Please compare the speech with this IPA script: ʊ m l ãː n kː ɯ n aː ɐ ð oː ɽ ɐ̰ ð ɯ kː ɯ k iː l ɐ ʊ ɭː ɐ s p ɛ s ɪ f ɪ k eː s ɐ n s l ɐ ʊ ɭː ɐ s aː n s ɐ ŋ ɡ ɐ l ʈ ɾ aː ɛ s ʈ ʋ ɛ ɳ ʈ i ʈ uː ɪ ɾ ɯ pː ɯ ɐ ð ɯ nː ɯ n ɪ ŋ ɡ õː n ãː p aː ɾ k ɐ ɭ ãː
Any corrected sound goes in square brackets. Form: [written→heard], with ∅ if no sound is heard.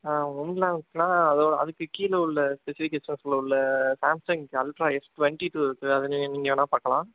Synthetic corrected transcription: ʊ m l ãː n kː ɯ n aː ɐ ð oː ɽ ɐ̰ ð ɯ kː ɯ k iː l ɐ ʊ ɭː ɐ s p ɛ s ɪ f ɪ k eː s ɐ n s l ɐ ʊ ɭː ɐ s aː [n→m] s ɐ ŋ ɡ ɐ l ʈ ɾ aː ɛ s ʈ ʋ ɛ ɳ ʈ i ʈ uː ɪ ɾ ɯ [pː→kː] ɯ ɐ ð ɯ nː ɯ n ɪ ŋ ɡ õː n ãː p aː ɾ k ɐ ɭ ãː

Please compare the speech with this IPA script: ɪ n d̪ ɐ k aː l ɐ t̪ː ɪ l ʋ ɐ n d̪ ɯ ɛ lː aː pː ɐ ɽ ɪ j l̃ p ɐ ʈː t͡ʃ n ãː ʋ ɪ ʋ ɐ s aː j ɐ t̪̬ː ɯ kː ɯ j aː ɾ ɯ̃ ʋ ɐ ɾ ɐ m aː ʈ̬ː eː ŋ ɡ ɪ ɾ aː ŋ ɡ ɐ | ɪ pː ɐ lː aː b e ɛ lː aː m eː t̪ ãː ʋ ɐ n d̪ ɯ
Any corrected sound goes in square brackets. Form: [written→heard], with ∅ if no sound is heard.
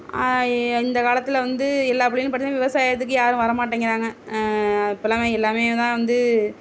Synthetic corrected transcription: ɪ n d̪ ɐ k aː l ɐ t̪ː ɪ l ʋ ɐ n d̪ ɯ ɛ lː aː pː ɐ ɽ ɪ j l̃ p ɐ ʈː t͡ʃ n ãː ʋ ɪ ʋ ɐ s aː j ɐ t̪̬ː ɯ kː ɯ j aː ɾ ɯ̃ ʋ ɐ ɾ ɐ m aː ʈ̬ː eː ŋ ɡ ɪ ɾ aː ŋ ɡ ɐ | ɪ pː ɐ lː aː [b→m] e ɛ lː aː m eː t̪ ãː ʋ ɐ n d̪ ɯ

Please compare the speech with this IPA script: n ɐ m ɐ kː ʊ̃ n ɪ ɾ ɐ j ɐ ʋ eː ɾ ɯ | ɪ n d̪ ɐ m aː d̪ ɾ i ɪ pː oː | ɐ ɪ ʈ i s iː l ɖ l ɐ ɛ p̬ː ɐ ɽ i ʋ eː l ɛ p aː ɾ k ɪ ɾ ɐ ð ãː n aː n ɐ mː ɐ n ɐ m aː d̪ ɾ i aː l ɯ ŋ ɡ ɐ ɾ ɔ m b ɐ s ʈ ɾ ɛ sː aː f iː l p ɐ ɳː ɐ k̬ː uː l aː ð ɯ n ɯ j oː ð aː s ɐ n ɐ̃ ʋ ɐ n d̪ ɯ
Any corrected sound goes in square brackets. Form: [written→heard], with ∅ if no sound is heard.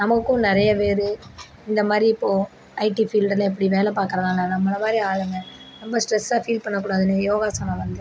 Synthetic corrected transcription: n ɐ m ɐ kː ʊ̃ n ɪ ɾ ɐ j ɐ ʋ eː ɾ ɯ | ɪ n d̪ ɐ m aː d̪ ɾ i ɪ pː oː | ɐ ɪ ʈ i [s→f] iː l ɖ l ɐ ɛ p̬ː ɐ ɽ i ʋ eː l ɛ p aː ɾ k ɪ ɾ ɐ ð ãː n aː n ɐ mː ɐ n ɐ m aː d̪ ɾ i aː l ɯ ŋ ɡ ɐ ɾ ɔ m b ɐ s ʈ ɾ ɛ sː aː f iː l p ɐ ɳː ɐ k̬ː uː [l→ɽ] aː ð ɯ n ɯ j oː [ð→ɣ] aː s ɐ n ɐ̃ ʋ ɐ n d̪ ɯ

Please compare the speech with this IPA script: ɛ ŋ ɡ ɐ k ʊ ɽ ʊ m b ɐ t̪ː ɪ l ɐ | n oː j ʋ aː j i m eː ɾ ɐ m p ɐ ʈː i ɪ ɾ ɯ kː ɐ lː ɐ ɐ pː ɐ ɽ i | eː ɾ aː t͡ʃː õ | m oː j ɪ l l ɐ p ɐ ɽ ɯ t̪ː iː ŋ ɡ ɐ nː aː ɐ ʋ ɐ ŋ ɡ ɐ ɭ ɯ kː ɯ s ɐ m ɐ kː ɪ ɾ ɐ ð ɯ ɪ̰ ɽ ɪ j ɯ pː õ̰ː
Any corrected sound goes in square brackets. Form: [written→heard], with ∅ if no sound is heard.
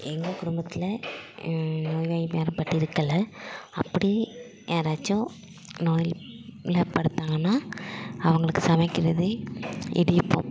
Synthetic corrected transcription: ɛ ŋ ɡ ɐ k ʊ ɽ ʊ m b ɐ t̪ː ɪ l ɐ | n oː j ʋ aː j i m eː ɾ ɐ m p ɐ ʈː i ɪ ɾ ɯ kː ɐ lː ɐ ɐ pː ɐ ɽ i | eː ɾ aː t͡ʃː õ | [m→n] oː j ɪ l l ɐ p ɐ ɽ ɯ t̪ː [iː→aː] ŋ ɡ ɐ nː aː ɐ ʋ ɐ ŋ ɡ ɐ ɭ ɯ kː ɯ s ɐ m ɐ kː ɪ ɾ ɐ ð ɯ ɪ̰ ɽ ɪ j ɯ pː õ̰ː

